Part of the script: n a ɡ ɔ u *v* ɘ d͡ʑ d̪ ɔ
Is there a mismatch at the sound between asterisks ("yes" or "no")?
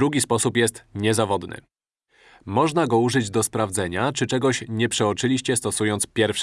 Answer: yes